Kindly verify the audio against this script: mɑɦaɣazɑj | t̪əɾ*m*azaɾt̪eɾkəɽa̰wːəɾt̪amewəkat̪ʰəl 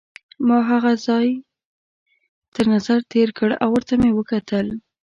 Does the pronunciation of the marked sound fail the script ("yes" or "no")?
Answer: yes